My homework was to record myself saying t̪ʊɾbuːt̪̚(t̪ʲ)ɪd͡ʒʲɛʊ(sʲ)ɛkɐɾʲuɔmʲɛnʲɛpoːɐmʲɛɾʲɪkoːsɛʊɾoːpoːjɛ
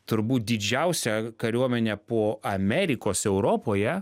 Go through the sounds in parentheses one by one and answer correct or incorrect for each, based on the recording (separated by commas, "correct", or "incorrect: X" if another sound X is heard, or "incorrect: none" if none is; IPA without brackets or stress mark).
incorrect: d̪ʲ, correct